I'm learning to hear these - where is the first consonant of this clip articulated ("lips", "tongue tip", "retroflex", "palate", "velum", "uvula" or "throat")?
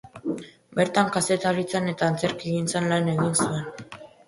lips